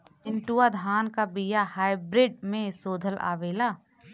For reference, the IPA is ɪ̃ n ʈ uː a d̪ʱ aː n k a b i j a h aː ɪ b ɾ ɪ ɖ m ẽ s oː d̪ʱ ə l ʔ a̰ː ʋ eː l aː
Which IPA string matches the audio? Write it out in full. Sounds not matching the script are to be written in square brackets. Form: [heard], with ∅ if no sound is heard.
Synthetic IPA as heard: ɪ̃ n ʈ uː a d̪ʱ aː n k a b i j a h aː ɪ b ɾ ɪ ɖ m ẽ s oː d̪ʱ ə l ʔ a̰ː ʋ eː l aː